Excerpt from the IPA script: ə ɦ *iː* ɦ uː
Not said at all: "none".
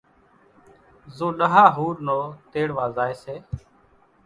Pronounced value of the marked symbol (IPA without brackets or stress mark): aː